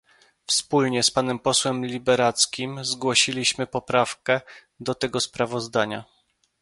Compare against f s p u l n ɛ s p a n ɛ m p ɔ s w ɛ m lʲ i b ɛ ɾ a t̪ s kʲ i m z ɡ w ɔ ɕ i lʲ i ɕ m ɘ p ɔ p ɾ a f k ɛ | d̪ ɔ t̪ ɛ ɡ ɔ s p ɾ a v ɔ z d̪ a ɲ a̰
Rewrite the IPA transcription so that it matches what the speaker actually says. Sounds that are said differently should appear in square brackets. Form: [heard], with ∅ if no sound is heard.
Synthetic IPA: f s p u l [ɲ] ɛ s p a n ɛ m p ɔ s w ɛ m lʲ i b ɛ ɾ a t̪ s kʲ i m z ɡ w ɔ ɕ i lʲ i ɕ m ɘ p ɔ p ɾ a f k ɛ | d̪ ɔ t̪ ɛ ɡ ɔ s p ɾ a v ɔ z d̪ a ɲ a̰